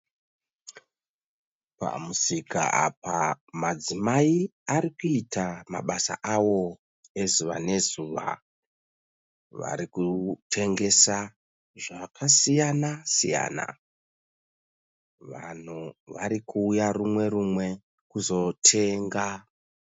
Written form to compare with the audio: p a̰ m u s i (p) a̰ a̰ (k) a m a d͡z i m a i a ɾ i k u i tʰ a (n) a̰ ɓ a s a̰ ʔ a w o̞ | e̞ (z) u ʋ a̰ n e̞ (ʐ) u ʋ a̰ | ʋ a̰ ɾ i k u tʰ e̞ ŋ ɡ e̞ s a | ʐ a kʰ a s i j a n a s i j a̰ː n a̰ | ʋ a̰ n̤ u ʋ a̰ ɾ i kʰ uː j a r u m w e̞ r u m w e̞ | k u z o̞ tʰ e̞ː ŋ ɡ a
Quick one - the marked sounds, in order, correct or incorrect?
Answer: incorrect: k, incorrect: p, incorrect: m, correct, incorrect: z

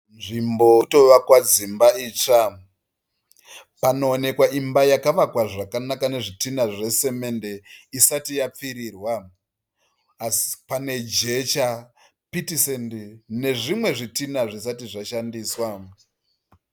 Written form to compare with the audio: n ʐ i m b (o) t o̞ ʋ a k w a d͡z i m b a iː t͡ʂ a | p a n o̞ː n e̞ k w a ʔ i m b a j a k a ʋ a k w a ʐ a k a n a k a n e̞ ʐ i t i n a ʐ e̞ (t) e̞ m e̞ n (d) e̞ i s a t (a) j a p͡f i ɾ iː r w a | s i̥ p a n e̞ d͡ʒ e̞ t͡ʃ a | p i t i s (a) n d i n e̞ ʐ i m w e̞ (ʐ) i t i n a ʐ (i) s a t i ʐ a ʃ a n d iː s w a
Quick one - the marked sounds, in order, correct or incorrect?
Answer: correct, incorrect: s, correct, incorrect: i, incorrect: e, correct, correct

